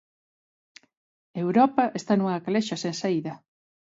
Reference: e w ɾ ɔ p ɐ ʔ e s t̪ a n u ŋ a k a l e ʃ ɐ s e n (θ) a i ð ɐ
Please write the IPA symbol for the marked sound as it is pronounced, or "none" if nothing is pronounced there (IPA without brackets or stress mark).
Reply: s